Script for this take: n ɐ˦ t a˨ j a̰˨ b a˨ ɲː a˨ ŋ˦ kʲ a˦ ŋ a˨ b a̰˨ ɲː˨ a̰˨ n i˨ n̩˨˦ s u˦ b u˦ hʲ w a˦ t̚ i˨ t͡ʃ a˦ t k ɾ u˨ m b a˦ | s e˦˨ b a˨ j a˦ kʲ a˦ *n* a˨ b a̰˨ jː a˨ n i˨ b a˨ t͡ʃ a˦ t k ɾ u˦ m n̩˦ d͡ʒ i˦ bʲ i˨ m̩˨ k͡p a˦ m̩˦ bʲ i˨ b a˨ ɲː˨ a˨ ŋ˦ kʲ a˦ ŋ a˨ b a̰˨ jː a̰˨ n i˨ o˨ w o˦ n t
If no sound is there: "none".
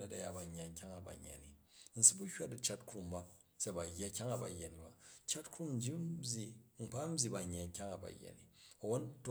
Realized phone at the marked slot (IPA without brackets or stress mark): ŋ